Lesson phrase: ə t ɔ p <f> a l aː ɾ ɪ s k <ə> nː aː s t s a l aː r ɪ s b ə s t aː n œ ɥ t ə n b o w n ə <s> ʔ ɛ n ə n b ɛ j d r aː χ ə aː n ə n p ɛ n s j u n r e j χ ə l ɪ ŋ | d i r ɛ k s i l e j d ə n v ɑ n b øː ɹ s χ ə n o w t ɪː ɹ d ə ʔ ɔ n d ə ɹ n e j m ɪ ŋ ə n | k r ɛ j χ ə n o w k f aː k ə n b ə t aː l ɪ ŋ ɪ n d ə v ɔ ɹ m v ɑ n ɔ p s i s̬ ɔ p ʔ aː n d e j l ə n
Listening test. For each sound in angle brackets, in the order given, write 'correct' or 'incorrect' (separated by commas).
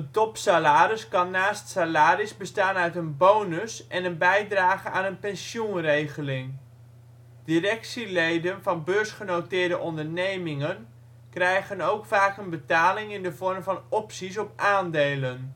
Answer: incorrect, incorrect, correct